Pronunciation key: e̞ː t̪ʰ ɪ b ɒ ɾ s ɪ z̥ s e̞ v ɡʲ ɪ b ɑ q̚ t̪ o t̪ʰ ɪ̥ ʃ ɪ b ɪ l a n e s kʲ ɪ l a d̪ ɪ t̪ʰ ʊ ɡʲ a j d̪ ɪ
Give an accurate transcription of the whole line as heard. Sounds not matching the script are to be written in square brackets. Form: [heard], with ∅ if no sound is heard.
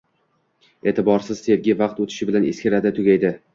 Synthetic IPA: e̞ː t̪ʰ ɪ b ɒ ɾ s ɪ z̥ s e̞ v ɡʲ ɪ [v] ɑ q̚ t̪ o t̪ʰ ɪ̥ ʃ ɪ b ɪ l a n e s kʲ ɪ [ɾ] a d̪ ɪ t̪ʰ ʊ ɡʲ a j d̪ ɪ